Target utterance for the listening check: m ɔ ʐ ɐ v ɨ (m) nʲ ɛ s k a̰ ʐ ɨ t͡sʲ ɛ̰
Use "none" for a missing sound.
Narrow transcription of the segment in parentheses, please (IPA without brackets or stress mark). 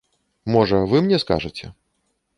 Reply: m